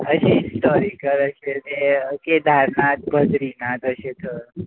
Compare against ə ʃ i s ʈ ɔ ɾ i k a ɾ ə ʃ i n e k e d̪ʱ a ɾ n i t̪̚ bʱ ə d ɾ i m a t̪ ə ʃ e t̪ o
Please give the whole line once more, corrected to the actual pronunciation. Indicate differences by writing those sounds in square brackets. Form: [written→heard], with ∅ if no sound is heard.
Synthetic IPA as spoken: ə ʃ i s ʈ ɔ ɾ i k [a→ə] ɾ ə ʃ [i→e] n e k e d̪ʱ a ɾ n [i→a] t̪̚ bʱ ə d ɾ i [m→n] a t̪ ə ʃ e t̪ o